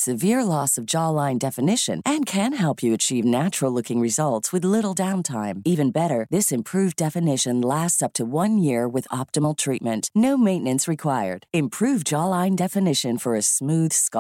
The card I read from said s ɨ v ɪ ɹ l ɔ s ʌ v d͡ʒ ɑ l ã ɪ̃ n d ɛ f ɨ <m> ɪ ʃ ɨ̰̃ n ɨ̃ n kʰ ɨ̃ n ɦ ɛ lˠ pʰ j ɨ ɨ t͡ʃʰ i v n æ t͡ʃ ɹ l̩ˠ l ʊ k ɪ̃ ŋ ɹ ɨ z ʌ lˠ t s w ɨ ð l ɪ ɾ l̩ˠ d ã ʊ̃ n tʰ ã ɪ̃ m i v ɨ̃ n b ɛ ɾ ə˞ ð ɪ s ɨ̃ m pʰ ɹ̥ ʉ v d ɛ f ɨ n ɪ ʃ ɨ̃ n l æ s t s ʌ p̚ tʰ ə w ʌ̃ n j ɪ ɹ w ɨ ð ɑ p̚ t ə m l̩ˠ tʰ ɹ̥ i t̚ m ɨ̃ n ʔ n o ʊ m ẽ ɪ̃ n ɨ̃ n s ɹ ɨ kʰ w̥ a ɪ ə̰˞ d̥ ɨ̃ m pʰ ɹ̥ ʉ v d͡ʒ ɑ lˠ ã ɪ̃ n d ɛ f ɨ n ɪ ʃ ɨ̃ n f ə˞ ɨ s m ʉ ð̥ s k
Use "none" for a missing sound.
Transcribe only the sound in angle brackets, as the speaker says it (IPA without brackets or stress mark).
n